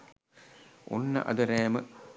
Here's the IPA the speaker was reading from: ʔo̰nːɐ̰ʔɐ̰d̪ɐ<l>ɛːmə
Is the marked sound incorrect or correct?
incorrect